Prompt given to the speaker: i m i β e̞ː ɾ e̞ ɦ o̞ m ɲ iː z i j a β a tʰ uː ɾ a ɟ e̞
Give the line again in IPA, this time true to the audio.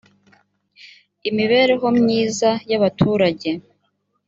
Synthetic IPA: i m i β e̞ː ɾ e̞ ɦ o̞ m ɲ iː z a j a β a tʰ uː ɾ a ɟ e̞